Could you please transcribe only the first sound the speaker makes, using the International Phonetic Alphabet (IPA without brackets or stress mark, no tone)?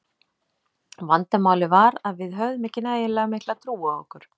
v